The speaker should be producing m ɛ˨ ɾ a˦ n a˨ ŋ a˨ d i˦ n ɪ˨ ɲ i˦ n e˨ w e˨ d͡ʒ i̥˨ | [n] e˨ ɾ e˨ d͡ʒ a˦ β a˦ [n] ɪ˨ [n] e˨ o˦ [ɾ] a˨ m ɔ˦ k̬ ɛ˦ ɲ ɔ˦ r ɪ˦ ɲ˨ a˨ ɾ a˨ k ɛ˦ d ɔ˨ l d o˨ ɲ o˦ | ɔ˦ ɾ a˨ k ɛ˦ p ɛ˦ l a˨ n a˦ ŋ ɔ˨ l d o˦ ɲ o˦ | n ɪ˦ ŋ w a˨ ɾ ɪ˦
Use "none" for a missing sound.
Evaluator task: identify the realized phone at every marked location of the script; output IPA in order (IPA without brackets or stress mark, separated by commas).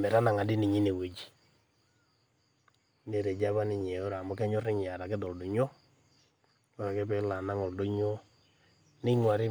n, n, ɲ, ɾ